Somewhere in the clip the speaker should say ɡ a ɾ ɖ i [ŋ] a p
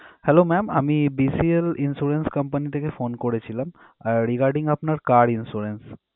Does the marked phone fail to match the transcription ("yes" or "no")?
no